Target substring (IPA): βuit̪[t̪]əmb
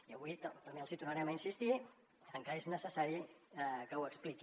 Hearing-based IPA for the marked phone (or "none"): t̪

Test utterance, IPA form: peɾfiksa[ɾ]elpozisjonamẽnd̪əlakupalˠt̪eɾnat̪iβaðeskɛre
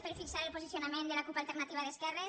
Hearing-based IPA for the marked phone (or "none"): ɾ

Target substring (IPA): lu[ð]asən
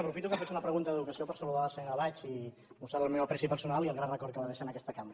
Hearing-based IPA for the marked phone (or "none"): ð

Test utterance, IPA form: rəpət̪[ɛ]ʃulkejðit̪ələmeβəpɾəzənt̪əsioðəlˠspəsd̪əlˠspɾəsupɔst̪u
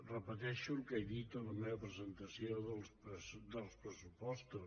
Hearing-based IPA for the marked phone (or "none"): ɛ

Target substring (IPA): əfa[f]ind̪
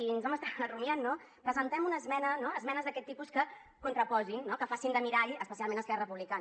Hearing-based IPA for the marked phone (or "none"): s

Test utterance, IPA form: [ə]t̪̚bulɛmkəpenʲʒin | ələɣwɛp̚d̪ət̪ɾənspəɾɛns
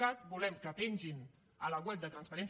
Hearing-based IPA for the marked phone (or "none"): a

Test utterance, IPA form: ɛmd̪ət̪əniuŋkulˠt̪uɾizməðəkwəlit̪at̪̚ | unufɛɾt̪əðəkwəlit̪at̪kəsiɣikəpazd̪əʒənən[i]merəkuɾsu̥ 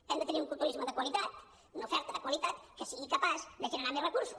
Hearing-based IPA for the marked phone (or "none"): a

